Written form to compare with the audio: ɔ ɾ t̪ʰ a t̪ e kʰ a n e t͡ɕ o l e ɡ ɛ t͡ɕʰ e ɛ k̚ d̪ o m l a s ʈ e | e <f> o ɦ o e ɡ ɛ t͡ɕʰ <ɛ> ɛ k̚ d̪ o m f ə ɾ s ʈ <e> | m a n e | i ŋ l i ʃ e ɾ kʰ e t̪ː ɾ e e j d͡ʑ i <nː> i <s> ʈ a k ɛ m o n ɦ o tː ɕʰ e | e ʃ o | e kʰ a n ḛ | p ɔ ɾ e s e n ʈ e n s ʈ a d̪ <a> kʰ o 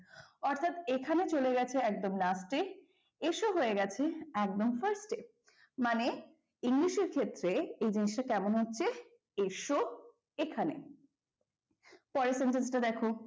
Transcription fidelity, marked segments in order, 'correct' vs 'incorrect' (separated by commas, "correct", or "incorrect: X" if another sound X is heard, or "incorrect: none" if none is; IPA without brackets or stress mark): incorrect: ʃ, incorrect: e, correct, incorrect: n, incorrect: ʃ, incorrect: ɛ